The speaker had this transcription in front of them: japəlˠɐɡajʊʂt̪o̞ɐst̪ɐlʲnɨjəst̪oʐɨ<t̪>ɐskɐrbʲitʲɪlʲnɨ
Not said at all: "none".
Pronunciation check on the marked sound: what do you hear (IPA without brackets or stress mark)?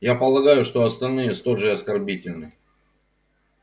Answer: none